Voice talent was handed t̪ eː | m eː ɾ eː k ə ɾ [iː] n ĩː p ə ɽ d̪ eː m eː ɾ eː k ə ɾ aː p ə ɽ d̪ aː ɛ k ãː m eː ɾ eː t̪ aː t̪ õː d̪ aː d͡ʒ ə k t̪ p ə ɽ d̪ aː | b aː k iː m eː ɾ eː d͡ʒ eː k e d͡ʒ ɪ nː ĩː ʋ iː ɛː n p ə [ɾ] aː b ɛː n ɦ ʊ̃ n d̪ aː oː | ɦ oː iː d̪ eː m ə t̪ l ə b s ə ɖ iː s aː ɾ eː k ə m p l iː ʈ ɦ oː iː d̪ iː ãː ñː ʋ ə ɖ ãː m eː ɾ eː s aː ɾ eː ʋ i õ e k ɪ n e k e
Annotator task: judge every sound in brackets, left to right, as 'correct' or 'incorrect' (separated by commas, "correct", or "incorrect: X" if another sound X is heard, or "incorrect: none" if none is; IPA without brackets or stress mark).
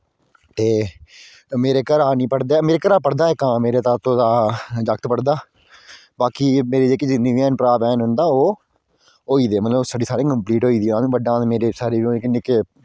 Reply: incorrect: aː, correct